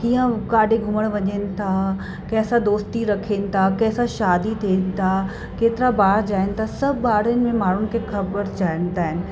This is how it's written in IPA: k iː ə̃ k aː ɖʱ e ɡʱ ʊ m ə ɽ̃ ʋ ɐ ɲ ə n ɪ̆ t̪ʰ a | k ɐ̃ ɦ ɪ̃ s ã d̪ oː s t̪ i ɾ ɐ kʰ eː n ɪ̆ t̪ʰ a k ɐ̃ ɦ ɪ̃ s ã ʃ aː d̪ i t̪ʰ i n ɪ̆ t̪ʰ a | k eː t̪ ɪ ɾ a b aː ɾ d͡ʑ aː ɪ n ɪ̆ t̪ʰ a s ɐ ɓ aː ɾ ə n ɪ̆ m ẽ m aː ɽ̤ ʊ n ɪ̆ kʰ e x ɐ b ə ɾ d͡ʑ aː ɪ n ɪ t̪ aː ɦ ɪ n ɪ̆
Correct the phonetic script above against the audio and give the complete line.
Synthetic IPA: k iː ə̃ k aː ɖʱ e ɡʱ ʊ m ə ɽ̃ ʋ ɐ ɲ ə n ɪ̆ t̪ʰ a | k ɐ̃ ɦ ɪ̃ s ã d̪ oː s t̪ i ɾ ɐ kʰ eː n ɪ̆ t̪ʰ a k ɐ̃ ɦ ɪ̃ s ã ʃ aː d̪ i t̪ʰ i n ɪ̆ t̪ʰ a | k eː t̪ ɪ ɾ a b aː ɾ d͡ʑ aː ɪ n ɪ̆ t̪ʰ a s ɐ b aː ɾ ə n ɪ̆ m ẽ m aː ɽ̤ ʊ n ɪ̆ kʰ e x ɐ b ə ɾ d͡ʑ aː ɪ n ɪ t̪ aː ɦ ɪ n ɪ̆